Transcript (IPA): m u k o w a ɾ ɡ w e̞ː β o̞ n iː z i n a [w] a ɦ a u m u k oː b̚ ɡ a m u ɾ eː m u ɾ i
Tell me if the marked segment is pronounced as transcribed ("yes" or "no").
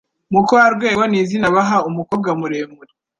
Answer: no